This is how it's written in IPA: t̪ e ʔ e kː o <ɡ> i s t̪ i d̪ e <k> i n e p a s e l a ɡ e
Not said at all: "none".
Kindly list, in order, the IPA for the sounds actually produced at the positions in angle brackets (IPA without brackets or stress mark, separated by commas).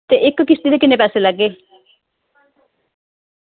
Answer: k, k